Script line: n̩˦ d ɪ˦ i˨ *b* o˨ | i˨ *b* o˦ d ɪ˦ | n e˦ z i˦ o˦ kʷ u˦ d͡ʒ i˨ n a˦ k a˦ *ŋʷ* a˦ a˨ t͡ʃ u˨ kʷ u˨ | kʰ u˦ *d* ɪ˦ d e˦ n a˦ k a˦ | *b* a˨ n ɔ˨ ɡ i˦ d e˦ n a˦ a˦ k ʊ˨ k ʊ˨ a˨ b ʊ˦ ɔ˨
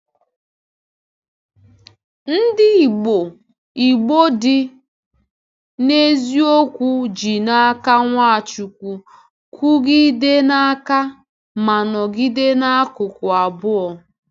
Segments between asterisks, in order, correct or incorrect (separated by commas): incorrect, incorrect, correct, incorrect, incorrect